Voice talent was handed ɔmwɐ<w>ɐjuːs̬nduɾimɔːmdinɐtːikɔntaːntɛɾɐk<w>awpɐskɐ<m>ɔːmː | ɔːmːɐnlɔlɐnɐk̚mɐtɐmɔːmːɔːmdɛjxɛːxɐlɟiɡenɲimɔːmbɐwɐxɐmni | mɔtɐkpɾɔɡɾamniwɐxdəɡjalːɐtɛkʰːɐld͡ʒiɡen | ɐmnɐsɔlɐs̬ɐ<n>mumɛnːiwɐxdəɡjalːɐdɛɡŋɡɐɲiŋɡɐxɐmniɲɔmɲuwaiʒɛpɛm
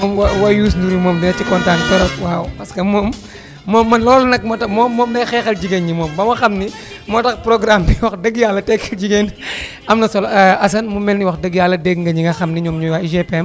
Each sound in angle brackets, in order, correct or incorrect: correct, correct, correct, correct

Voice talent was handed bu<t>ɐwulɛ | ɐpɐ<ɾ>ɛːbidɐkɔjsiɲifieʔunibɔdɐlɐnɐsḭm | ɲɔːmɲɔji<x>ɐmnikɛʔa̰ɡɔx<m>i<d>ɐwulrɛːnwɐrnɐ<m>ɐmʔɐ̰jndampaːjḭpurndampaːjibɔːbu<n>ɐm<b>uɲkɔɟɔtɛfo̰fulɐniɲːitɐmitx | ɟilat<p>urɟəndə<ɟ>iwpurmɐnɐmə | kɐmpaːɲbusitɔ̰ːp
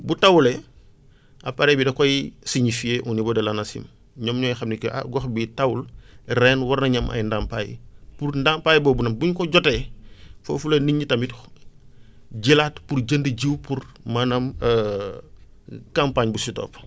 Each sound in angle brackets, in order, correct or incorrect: correct, correct, correct, incorrect: b, incorrect: t, incorrect: ɲ, correct, correct, correct, correct

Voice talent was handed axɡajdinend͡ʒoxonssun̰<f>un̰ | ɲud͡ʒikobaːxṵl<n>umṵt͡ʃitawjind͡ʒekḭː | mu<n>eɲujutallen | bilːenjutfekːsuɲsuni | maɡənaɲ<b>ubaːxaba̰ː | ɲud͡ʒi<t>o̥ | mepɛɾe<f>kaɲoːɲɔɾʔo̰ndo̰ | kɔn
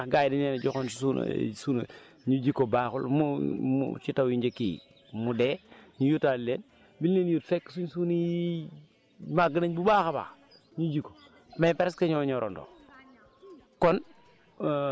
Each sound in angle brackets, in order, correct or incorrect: incorrect: s, incorrect: m, incorrect: d, correct, incorrect: k, incorrect: s

